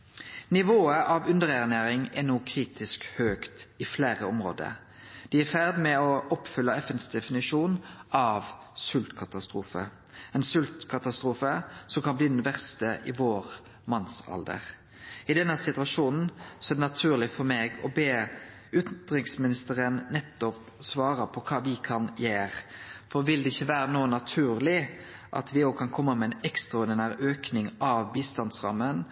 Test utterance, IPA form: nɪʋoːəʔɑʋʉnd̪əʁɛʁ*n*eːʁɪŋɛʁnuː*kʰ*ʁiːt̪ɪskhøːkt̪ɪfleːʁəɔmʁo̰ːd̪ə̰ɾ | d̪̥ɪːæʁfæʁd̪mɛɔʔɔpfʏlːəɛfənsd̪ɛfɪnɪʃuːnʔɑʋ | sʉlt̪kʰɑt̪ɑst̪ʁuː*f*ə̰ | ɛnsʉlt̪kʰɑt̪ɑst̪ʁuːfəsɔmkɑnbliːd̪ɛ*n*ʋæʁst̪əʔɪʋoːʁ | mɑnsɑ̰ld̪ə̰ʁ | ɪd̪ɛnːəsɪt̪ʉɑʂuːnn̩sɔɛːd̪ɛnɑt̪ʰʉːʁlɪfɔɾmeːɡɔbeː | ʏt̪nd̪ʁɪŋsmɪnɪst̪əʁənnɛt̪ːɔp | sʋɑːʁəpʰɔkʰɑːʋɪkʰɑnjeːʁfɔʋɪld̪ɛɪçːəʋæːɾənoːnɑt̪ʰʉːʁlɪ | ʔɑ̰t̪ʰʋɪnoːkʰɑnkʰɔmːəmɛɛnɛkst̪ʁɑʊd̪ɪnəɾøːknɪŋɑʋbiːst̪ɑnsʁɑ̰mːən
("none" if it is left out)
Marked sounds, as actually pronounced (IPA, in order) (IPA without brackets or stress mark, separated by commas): n, kʰ, f, n